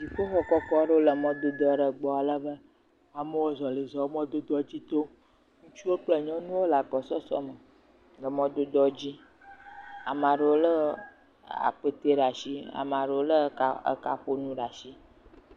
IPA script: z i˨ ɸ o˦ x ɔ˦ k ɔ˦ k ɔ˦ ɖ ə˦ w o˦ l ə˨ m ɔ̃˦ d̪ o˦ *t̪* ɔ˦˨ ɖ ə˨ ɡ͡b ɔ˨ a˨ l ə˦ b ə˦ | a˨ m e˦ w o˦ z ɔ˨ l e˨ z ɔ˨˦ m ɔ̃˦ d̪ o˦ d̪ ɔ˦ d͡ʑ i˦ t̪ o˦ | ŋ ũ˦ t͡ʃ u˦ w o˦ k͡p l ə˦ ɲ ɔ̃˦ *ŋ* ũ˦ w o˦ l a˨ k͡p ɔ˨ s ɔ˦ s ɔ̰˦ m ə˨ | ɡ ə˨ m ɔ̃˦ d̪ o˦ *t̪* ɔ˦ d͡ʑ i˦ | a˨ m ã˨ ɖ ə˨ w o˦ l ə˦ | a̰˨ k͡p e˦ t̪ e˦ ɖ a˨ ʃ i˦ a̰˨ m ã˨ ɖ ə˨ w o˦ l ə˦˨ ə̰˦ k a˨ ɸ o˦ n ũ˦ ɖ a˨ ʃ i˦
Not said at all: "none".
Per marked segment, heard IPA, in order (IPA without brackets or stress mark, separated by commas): d̪, n, d̪